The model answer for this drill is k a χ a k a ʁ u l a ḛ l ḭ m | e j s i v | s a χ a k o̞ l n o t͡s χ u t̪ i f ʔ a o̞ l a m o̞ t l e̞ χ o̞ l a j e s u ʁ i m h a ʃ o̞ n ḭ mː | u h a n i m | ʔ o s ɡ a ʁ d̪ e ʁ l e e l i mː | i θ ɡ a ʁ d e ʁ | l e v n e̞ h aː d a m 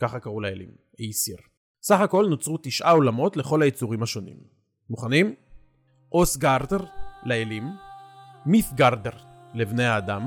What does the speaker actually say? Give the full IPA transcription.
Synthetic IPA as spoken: k a χ a k a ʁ u l a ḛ l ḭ m | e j s i ʁ | s a χ a k o̞ l n o t͡s ʁ u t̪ i ʃ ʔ a o̞ l a m o̞ t l e̞ χ o̞ l a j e t͡s u ʁ i m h a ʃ o̞ n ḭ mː | u χ a n i m | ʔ o s ɡ a ʁ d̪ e ʁ l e e l i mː | i θ ɡ a ʁ d e ʁ | l e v n e̞ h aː d a m